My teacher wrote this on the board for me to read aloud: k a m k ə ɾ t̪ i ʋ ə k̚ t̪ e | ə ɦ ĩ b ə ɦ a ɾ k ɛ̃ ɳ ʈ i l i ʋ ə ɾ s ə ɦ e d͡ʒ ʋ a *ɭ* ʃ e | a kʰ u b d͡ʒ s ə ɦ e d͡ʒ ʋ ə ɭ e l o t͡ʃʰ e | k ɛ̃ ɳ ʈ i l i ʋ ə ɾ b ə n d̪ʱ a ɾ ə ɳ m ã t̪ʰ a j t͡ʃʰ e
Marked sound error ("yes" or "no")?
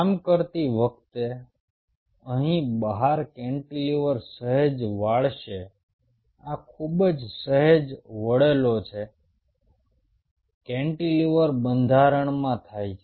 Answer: no